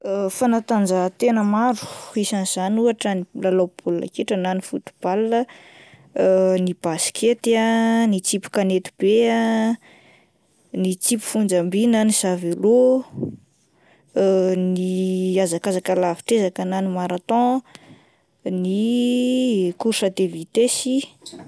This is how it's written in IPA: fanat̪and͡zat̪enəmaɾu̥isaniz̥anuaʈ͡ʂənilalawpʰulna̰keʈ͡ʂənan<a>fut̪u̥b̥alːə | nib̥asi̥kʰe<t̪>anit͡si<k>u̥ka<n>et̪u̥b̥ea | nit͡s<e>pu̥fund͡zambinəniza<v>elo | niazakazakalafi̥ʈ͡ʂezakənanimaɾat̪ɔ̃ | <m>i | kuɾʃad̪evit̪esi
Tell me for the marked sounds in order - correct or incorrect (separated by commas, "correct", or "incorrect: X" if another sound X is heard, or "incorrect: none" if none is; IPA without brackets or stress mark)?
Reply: incorrect: i, correct, incorrect: p, correct, incorrect: i, correct, incorrect: n